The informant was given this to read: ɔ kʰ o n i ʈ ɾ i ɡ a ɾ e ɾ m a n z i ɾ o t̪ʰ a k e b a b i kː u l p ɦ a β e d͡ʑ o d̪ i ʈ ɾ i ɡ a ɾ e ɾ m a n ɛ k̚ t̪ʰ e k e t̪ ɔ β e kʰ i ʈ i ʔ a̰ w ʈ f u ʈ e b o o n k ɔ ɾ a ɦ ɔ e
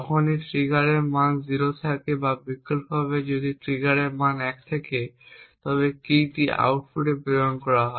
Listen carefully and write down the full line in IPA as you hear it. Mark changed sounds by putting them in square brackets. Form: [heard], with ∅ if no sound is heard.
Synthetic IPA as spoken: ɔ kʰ o n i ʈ ɾ i ɡ a ɾ e ɾ m a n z i ɾ o t̪ʰ a k e b a b i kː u l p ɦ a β e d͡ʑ o d̪ i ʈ ɾ i ɡ a ɾ e ɾ m a n ɛ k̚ t̪ʰ e k e t̪ ɔ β e [k] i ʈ i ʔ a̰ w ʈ f u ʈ e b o o n k ɔ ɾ a ɦ ɔ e